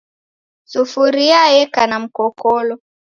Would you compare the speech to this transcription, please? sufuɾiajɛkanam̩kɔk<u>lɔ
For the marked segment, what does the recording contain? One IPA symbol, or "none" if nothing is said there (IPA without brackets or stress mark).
ɔ